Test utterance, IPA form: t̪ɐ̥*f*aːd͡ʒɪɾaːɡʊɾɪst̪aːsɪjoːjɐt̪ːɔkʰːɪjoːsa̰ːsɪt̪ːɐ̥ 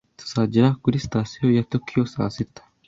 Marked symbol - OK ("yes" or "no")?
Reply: no